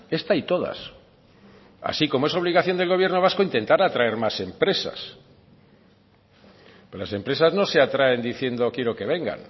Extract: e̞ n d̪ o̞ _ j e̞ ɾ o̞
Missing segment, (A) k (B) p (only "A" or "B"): A